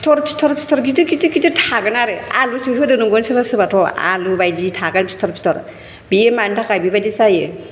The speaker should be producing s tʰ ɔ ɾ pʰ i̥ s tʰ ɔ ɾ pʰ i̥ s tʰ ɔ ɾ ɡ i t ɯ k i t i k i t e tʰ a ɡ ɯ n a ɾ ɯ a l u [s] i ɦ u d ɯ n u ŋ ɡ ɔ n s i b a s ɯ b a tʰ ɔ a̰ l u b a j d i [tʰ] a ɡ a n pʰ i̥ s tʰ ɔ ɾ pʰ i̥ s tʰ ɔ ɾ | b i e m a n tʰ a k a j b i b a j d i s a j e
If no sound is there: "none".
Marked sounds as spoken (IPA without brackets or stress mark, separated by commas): s, tʰ